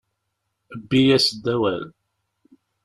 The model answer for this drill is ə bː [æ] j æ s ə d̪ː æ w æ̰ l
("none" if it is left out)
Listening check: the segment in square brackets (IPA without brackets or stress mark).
i